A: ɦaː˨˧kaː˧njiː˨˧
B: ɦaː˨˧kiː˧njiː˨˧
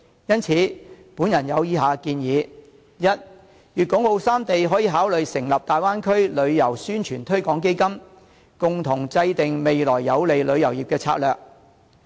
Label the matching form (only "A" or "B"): B